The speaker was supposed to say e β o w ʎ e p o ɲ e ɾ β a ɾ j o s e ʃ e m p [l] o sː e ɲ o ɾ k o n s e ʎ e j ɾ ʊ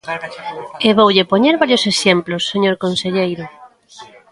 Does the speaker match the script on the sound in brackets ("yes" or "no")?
yes